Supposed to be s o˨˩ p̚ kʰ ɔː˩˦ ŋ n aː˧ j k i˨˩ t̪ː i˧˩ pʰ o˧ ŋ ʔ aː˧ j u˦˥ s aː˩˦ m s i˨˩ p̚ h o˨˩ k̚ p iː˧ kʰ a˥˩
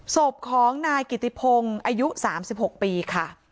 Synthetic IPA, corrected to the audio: s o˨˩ p̚ kʰ ɔː˩˦ ŋ n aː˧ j k i˨˩ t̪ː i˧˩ pʰ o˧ ŋ ʔ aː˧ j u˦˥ s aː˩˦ m s i˨˩ p̚ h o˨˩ k̚ p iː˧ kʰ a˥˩